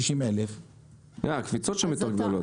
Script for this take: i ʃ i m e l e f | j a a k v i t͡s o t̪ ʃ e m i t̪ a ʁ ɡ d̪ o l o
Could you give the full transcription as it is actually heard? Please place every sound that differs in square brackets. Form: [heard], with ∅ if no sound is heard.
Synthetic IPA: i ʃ i m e l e f | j a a k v i t͡s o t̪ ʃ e m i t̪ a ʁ ɡ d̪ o l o